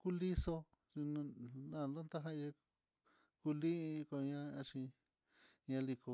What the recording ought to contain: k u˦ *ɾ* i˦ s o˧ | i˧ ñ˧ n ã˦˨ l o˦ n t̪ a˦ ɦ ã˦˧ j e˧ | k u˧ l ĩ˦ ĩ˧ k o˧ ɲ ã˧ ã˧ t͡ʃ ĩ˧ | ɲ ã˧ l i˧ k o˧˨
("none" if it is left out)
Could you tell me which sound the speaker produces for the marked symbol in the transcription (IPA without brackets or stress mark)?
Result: l